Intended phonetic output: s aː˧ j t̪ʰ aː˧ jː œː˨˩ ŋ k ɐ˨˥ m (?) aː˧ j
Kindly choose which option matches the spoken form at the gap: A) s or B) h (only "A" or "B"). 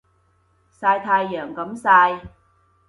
A